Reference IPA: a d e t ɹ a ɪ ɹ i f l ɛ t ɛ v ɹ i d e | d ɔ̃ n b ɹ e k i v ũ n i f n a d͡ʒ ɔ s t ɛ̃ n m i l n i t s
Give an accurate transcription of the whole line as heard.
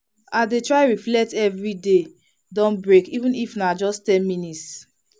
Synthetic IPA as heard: a d e t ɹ a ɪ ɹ i f l ɛ t ɛ v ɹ i d e | d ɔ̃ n b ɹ e k i v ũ n i f n a d͡ʒ ɔ s t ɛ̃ n m i n i t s